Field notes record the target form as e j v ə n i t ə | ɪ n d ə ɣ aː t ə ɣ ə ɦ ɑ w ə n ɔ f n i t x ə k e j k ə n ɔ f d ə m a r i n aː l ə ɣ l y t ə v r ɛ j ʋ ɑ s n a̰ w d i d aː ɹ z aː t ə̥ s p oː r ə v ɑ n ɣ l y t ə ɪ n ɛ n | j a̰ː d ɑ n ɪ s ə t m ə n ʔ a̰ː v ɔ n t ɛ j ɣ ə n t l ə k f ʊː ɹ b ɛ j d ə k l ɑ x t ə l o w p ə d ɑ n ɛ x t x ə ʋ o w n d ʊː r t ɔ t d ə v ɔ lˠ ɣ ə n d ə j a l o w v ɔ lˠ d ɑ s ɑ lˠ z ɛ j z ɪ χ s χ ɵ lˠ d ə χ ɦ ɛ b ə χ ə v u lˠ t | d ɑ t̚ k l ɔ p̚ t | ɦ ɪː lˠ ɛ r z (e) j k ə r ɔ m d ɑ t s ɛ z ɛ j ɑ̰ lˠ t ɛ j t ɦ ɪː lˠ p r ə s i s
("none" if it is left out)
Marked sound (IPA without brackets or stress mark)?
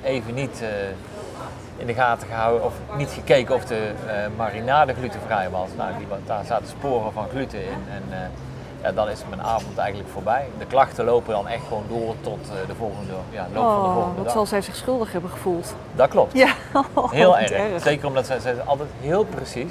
e